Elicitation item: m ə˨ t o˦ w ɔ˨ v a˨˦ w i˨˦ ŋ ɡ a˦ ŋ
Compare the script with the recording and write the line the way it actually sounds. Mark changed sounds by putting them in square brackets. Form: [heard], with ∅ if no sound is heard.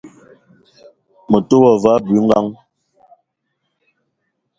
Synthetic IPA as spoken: m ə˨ t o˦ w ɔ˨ v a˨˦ [b] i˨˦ ŋ ɡ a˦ ŋ